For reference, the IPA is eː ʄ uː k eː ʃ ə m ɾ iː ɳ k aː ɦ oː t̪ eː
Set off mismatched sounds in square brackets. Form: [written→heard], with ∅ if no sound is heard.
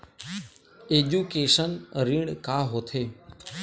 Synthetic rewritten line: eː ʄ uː k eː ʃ ə [m→n] ɾ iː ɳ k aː ɦ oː [t̪→t̪ʰ] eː